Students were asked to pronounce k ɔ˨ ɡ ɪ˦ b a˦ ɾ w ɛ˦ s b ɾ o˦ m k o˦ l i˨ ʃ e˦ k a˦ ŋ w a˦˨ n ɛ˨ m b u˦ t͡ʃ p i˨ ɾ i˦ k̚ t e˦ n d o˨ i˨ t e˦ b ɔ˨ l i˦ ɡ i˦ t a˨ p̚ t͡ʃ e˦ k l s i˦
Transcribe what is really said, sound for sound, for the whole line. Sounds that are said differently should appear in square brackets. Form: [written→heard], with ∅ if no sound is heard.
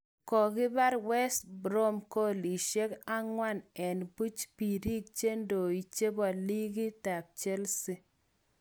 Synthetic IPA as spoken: k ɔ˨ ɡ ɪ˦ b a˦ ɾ w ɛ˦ s b ɾ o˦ m k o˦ l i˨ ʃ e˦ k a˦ ŋ w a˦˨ n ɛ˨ [m→n] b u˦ t͡ʃ p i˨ ɾ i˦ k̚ [t→t͡ʃ] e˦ n d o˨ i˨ [t→t͡ʃ] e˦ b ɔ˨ l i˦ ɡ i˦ t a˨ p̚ t͡ʃ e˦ [k→∅] l s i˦